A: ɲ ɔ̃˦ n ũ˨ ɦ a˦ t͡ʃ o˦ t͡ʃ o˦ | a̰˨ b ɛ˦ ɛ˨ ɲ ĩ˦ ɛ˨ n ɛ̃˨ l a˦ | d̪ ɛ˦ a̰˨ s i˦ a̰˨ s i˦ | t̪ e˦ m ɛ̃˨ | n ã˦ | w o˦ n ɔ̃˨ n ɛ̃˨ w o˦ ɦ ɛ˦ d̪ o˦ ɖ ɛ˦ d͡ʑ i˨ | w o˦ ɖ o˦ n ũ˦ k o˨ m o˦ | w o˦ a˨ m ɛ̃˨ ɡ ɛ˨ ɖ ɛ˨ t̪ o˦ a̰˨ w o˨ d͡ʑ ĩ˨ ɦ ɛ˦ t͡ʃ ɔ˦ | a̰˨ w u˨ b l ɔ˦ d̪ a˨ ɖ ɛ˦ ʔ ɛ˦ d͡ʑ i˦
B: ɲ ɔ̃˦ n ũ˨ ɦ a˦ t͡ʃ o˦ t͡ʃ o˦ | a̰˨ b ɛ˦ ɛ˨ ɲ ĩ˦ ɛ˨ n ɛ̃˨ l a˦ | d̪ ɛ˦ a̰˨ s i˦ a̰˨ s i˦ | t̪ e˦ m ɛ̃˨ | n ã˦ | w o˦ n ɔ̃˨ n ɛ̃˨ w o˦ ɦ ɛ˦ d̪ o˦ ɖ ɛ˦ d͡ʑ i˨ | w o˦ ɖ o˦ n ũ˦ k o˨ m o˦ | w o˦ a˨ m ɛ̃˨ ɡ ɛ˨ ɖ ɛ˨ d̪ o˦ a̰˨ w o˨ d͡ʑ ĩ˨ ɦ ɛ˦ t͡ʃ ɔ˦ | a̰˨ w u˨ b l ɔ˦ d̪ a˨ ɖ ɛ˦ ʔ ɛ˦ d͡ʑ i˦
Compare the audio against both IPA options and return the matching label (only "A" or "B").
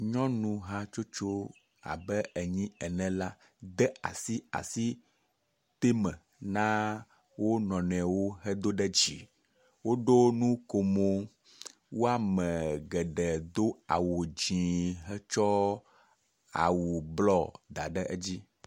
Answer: B